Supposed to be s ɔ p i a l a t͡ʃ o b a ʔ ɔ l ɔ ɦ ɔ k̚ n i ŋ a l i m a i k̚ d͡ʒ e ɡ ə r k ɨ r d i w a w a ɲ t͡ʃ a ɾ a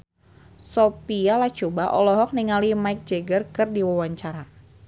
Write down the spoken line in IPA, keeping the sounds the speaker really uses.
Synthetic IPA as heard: s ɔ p i a l a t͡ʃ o b a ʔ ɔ l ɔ ɦ ɔ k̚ n i ŋ a l i m a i k̚ d͡ʒ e ɡ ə r k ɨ r d i w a w a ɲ t͡ʃ a ɾ a